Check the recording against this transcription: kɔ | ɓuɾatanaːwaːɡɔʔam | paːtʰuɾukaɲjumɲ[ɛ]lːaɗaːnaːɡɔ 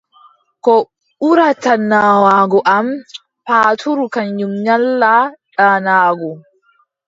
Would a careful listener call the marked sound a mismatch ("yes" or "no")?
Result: yes